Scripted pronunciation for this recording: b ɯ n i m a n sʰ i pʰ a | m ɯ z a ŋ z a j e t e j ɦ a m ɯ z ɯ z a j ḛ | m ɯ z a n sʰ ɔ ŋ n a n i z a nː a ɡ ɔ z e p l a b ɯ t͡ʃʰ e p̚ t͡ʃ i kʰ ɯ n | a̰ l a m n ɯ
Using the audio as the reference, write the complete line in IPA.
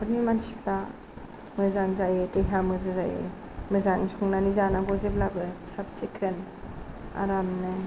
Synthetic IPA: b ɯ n i m a n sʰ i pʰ a | m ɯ z a ŋ z a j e t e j ɦ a m ɯ z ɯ z a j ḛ | m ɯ z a ŋ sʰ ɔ ŋ n a n i z a n a ɡ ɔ z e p l a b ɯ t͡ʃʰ a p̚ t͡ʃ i kʰ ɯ n | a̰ ɾ a m n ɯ